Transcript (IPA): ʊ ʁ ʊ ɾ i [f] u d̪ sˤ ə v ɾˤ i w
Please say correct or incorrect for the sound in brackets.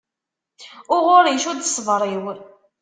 incorrect